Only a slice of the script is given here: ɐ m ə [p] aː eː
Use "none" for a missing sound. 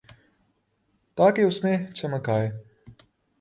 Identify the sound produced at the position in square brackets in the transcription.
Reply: k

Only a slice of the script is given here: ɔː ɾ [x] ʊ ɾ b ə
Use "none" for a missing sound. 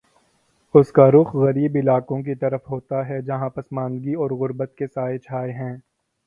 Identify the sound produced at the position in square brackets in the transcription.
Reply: ɣ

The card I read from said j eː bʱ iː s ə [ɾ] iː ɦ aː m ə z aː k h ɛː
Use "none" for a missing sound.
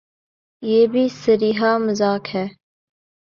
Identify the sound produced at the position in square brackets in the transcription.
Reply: ɾ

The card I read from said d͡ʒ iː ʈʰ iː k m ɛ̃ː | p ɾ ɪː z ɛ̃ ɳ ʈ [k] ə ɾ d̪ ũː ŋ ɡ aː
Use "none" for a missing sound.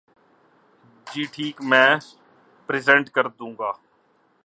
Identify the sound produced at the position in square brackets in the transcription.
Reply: k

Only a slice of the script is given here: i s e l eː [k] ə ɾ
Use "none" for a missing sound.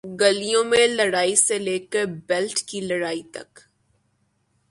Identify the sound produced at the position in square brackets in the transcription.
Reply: k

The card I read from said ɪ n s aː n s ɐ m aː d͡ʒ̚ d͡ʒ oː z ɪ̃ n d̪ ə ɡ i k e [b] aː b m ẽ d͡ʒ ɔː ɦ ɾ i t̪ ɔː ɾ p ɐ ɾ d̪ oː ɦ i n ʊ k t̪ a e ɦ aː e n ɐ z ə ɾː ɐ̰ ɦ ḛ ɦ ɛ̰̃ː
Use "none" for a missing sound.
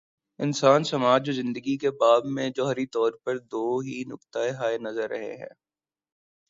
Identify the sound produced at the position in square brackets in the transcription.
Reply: b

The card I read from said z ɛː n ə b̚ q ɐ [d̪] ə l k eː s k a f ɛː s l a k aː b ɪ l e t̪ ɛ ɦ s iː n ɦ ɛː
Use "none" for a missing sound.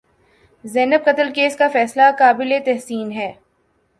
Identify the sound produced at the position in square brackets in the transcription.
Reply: t̪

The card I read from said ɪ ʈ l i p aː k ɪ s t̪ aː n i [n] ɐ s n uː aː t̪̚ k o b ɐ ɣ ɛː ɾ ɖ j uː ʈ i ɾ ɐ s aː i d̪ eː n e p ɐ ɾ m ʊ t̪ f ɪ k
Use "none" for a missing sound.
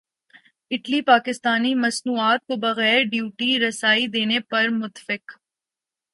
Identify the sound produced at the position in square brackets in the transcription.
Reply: m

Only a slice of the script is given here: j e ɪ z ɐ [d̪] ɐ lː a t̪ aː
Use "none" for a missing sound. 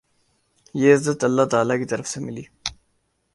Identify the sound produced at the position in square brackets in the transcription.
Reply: t̪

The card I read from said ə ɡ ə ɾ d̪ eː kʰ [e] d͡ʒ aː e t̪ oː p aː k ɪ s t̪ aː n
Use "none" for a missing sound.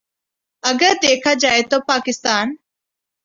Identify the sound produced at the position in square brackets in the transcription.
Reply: a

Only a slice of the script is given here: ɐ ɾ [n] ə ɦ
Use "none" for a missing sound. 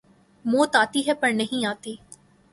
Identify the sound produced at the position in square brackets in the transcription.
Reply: n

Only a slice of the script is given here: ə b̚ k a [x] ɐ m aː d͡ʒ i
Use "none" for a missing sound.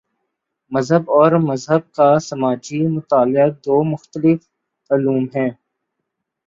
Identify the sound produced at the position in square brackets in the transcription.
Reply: s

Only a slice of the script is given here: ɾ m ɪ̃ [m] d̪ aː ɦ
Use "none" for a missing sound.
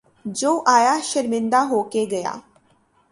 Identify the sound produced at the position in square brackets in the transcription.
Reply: n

